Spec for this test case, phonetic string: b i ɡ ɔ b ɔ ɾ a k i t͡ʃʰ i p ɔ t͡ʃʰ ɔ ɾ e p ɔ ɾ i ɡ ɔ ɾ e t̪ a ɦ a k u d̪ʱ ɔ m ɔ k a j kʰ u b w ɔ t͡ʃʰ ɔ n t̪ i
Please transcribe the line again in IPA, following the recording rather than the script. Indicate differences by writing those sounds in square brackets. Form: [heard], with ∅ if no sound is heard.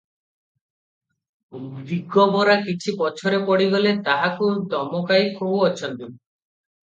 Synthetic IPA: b i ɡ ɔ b ɔ ɾ a k i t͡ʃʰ i p ɔ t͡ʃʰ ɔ ɾ e p ɔ [ɽ] i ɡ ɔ [l] e t̪ a ɦ a k u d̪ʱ ɔ m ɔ k a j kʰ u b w ɔ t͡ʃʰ ɔ n t̪ i